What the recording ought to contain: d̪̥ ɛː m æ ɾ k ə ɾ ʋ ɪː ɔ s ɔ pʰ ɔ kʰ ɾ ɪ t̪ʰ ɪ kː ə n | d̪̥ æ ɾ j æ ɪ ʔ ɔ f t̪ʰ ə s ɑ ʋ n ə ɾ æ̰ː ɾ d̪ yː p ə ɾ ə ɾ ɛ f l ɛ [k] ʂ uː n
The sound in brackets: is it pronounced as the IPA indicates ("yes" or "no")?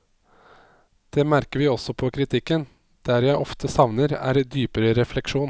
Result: yes